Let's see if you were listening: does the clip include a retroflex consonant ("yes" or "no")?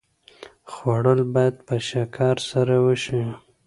yes